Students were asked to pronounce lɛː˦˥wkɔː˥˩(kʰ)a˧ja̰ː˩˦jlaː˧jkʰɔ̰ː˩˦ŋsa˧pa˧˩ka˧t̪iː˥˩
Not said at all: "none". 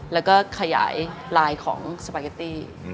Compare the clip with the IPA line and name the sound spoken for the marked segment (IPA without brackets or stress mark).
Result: kʰ